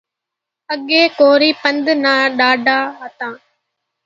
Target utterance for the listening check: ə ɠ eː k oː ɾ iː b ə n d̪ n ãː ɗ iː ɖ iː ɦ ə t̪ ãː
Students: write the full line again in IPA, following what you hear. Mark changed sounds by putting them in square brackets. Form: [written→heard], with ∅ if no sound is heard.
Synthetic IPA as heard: ə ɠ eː k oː ɾ iː [b→p] ə n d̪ n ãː ɗ [iː→aː] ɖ [iː→aː] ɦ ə t̪ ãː

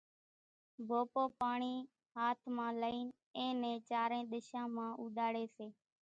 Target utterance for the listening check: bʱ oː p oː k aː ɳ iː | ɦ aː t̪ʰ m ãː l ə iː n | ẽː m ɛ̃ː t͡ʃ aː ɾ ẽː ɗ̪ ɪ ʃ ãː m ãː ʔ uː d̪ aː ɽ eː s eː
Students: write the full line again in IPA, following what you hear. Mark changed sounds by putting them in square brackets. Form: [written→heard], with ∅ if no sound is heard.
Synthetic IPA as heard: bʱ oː p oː [k→p] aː ɳ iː | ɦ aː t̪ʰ m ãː l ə iː n | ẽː [m→n] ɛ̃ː t͡ʃ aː ɾ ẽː ɗ̪ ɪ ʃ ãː m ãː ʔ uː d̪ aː ɽ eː s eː

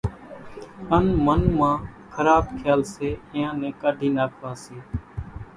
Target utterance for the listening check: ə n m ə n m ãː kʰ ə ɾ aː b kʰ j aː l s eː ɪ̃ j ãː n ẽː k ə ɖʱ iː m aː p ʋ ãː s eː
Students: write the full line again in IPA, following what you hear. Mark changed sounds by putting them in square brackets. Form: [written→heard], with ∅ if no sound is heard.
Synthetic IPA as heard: ə n m ə n m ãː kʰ ə ɾ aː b kʰ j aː l s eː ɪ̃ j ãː n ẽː k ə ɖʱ iː [m→n] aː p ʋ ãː s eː

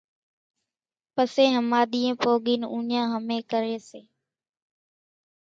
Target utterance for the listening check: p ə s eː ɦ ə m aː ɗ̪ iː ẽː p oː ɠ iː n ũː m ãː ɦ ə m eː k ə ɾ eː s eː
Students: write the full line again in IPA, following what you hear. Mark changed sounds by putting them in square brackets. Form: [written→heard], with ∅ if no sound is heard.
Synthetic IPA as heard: p ə s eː ɦ ə m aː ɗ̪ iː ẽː p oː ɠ iː n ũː [m→ɲ] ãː ɦ ə m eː k ə ɾ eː s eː

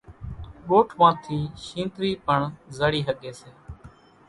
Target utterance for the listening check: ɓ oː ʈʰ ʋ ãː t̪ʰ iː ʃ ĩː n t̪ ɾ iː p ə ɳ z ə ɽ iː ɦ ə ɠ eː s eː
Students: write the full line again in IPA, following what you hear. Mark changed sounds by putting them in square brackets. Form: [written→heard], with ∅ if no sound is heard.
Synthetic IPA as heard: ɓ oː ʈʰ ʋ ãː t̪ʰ iː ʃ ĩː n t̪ ɾ iː p ə ɳ z ə ɽ iː ɦ ə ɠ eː s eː

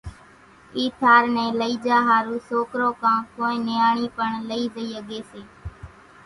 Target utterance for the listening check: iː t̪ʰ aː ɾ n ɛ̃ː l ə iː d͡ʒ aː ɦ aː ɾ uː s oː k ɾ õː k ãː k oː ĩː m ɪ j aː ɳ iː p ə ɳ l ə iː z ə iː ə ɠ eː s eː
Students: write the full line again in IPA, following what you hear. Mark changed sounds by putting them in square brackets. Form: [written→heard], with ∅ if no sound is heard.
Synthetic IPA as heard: iː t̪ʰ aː ɾ n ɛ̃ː l ə iː d͡ʒ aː ɦ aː ɾ uː s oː k ɾ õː k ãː k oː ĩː [m→n] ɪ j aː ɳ iː p ə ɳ l ə iː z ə iː ə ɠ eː s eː

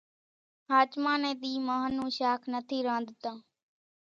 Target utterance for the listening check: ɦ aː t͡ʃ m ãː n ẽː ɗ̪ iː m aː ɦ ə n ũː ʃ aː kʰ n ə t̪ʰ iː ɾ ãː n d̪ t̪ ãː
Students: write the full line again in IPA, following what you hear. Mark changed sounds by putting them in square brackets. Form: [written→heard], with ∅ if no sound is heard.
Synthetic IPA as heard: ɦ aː t͡ʃ m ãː n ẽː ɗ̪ iː m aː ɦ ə n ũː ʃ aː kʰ n ə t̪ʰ iː ɾ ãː n d̪ t̪ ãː

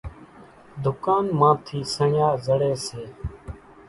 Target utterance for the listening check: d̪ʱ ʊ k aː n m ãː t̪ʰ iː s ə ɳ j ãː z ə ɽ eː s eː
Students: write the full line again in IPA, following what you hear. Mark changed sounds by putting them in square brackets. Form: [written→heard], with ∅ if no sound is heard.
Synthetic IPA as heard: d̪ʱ ʊ k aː n m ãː t̪ʰ iː s ə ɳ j [ãː→aː] z ə ɽ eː s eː

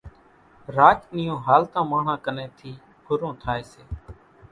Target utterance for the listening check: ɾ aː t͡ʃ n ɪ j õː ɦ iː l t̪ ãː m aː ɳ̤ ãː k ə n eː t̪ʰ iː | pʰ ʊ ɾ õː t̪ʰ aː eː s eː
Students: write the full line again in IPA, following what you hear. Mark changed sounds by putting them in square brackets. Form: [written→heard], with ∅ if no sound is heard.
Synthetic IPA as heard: ɾ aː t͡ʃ n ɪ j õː ɦ [iː→aː] l t̪ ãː m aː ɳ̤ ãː k ə n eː t̪ʰ iː | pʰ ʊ ɾ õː t̪ʰ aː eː s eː

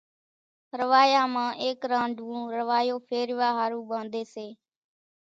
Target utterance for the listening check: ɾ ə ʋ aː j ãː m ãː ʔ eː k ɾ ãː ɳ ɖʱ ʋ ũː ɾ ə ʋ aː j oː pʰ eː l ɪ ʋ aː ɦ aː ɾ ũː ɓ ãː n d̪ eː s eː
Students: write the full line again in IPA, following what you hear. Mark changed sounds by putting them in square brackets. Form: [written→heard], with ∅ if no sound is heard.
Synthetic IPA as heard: ɾ ə ʋ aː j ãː m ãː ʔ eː k ɾ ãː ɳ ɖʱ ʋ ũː ɾ ə ʋ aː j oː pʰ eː [l→ɾ] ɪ ʋ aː ɦ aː ɾ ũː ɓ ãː n d̪ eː s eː

